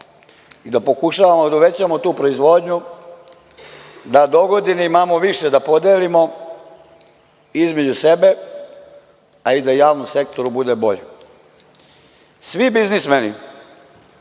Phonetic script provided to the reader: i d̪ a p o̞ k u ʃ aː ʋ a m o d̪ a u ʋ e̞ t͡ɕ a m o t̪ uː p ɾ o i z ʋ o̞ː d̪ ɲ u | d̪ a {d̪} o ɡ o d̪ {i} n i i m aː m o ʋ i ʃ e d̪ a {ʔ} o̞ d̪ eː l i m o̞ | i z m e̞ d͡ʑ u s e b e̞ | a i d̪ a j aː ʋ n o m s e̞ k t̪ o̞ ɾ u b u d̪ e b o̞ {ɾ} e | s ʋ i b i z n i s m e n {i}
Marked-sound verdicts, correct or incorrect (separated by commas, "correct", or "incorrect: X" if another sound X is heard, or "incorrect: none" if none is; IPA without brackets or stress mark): correct, correct, incorrect: p, incorrect: ʎ, correct